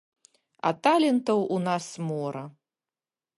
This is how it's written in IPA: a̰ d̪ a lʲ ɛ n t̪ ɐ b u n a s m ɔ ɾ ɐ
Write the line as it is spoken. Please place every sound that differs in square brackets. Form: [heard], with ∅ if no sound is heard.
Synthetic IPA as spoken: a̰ [t̪] a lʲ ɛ n t̪ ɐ [w] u n a s m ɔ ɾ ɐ